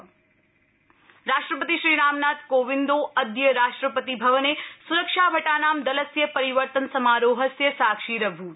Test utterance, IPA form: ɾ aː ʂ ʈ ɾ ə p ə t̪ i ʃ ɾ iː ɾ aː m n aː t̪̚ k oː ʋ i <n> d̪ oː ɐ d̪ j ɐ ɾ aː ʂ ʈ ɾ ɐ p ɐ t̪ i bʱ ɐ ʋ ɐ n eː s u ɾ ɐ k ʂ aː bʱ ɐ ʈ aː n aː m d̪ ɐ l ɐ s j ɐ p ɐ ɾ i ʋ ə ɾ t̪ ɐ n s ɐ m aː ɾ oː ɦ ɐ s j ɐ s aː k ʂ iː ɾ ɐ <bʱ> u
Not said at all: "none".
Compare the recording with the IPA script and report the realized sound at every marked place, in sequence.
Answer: n, bʱ

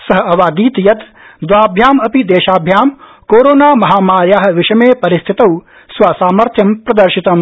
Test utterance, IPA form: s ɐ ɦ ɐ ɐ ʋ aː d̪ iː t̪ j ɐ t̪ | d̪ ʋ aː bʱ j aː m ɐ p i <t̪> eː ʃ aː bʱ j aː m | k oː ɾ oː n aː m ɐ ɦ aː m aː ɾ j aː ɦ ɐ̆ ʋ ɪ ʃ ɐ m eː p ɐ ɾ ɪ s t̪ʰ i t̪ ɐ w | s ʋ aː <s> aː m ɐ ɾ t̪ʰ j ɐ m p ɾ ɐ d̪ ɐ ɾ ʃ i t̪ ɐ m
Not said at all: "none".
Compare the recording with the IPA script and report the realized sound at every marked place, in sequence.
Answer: d̪, s

